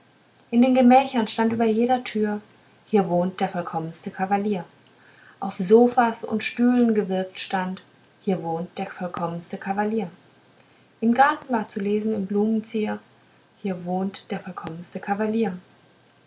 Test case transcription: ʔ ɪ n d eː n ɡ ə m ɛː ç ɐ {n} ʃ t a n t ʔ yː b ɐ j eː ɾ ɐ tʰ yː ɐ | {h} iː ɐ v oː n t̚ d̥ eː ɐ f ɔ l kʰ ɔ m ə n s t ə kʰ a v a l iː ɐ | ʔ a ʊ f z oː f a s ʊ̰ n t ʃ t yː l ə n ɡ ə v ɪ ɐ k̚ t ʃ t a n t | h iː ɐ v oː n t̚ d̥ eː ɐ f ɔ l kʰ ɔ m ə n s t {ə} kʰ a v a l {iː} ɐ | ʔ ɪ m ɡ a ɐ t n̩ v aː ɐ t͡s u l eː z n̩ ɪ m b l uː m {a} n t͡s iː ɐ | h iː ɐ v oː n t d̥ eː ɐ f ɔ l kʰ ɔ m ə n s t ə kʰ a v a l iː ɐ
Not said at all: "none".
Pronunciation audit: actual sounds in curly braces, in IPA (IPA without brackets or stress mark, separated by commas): n, h, ə, iː, ə